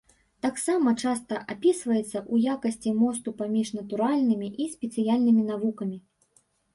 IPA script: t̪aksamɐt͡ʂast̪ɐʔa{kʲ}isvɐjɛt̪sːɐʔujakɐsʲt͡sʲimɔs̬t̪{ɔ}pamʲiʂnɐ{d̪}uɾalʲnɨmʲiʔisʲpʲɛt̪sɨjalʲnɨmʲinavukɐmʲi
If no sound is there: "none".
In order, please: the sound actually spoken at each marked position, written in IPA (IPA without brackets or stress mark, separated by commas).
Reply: pʲ, u, t̪